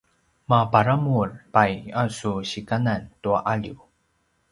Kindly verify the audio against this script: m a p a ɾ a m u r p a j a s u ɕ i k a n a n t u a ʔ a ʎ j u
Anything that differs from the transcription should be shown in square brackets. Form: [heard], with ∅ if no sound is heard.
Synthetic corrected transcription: m a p a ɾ a m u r p a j a s u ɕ i k a n a n t u a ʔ a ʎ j u

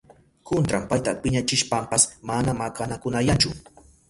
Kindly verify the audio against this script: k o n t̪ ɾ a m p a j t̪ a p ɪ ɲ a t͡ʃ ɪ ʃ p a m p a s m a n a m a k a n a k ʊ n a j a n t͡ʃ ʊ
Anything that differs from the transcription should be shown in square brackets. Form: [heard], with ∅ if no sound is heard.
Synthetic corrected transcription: k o n t̪ ɾ a m p a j t̪ a p ɪ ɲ a t͡ʃ ɪ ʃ p a m p a s m a n a m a k a n a k ʊ n a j a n t͡ʃ ʊ

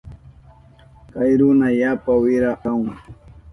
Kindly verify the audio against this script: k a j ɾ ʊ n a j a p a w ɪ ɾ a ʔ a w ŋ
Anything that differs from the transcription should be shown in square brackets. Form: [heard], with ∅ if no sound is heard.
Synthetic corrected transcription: k a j ɾ ʊ n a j a p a w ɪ ɾ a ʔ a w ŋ

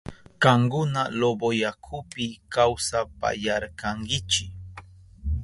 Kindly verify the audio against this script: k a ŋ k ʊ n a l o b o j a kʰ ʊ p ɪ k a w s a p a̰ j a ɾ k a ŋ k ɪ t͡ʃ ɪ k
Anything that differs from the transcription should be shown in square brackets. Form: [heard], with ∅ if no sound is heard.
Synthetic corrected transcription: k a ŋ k ʊ n a l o b o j a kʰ ʊ p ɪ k a w s a p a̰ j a ɾ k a ŋ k ɪ t͡ʃ ɪ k

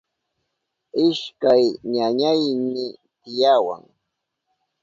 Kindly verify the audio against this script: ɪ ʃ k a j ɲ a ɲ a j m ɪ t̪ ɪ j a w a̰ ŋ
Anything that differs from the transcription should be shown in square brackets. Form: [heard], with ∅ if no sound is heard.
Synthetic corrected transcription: ɪ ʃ k a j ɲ a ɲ a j m ɪ t̪ ɪ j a w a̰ ŋ

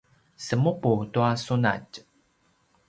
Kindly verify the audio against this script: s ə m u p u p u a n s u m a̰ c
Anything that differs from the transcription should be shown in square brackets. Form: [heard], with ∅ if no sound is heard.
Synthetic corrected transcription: s ə m u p u [t] u a [∅] s u [n] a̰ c

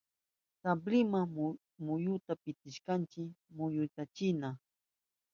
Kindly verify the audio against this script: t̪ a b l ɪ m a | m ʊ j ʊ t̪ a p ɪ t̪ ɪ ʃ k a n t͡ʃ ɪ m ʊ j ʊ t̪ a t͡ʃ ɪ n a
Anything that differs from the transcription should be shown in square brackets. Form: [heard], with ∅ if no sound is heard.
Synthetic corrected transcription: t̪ a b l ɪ m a | m ʊ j ʊ t̪ a p ɪ t̪ ɪ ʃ k a n t͡ʃ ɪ m ʊ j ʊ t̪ a t͡ʃ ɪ n a

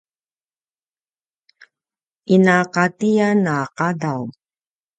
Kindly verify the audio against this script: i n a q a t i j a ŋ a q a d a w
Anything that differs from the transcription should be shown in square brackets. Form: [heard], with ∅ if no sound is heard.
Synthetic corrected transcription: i n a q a t i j a [n] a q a d a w

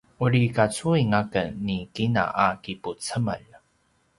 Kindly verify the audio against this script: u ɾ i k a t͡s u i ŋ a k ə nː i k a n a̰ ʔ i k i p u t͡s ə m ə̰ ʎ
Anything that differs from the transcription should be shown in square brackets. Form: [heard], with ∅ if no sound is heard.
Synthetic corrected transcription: u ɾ i k a t͡s u i ŋ a k ə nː i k [i] n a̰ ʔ [a] k i p u t͡s ə m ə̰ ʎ

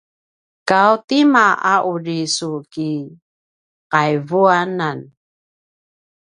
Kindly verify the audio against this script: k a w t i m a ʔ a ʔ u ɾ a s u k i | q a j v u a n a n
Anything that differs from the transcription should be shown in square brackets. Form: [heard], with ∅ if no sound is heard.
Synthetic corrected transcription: k a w t i m a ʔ a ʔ u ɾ [i] s u k i | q a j v u a n a n

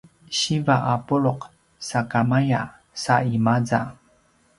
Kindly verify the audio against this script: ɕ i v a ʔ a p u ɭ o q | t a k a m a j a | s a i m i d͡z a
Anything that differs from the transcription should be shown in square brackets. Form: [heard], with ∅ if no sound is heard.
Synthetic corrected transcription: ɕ i v a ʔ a p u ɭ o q | [s] a k a m a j a | s a i m [a] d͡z a

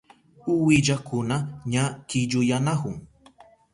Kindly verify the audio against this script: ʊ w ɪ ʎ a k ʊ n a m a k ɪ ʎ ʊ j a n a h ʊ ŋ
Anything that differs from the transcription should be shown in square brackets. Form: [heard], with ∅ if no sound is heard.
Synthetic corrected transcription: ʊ w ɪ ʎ a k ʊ n a [ɲ] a k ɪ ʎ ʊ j a n a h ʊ ŋ

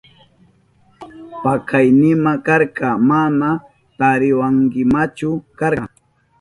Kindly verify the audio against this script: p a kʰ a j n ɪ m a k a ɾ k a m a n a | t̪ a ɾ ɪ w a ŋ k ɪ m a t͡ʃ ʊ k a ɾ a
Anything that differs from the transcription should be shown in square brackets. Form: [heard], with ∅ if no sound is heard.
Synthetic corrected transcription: p a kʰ a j n ɪ m a k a ɾ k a m a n a | t̪ a ɾ ɪ w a ŋ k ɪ m a t͡ʃ ʊ k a ɾ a

